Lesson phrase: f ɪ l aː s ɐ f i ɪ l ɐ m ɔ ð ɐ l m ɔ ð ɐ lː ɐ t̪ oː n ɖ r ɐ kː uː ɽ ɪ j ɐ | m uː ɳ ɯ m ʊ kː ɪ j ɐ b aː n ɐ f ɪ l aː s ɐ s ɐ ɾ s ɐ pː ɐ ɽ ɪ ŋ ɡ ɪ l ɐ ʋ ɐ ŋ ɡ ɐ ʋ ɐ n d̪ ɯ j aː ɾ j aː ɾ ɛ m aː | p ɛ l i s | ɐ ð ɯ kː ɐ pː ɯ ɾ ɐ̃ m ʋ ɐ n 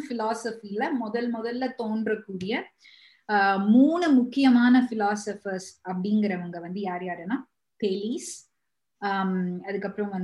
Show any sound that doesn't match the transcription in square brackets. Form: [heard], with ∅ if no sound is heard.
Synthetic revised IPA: f ɪ l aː s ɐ f i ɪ l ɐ m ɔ ð ɐ l m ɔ ð ɐ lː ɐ t̪ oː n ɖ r ɐ kː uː ɽ ɪ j ɐ | m uː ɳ ɯ m ʊ kː ɪ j ɐ [m] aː n ɐ f ɪ l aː s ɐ [f] ɐ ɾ s ɐ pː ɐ ɽ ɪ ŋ ɡ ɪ [ɾ] ɐ ʋ ɐ ŋ ɡ ɐ ʋ ɐ n d̪ ɯ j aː ɾ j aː ɾ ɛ [n] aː | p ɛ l i s | ɐ ð ɯ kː ɐ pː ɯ ɾ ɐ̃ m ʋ ɐ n